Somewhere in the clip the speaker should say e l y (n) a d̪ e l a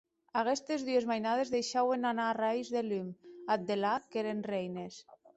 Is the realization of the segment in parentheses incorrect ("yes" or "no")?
yes